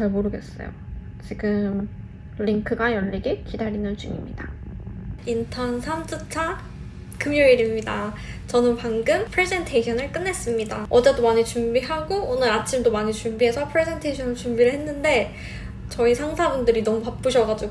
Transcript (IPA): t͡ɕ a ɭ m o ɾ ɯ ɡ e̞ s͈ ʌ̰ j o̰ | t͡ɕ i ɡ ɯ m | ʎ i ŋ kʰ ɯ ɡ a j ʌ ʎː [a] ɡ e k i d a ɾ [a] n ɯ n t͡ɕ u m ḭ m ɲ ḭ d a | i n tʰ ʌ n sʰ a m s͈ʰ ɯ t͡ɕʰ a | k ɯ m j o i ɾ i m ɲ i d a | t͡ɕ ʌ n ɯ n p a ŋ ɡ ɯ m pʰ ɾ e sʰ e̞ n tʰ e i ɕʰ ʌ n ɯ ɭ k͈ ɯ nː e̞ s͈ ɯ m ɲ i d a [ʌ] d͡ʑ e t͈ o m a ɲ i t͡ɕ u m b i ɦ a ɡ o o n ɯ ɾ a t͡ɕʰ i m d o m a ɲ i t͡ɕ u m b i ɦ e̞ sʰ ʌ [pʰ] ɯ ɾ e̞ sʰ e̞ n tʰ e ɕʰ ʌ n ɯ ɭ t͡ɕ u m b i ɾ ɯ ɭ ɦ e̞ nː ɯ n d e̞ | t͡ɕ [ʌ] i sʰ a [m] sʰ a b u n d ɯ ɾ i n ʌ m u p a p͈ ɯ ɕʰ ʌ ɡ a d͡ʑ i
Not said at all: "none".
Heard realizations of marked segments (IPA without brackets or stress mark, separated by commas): i, i, ʌ, pʰ, ʌ, ŋ